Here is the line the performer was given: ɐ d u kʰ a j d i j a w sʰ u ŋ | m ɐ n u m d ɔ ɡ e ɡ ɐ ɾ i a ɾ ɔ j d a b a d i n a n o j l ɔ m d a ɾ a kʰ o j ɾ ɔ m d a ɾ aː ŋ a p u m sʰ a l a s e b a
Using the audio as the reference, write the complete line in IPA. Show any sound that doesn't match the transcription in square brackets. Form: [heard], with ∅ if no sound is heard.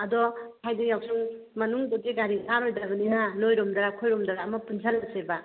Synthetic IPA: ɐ d [ɔ] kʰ a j d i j a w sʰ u ŋ | m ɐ n u [ŋ] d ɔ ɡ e ɡ [a] ɾ i a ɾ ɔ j d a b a [n] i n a n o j [ɾ] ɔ m d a ɾ a kʰ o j ɾ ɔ m d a ɾ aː [m] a p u [n] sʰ a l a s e b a